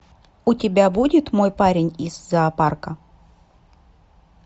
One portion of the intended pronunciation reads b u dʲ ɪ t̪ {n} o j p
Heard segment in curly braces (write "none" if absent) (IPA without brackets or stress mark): m